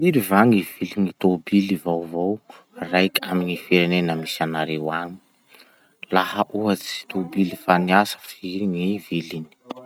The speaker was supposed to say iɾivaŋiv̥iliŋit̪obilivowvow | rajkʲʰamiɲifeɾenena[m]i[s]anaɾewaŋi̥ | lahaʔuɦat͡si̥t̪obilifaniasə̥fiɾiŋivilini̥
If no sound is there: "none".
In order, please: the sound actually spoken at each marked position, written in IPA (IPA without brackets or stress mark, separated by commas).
m, s